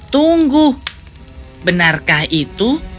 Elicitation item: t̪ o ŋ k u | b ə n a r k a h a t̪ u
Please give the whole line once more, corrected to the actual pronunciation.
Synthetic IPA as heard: t̪ u ŋ ɡ u | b ə n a r k a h i t̪ u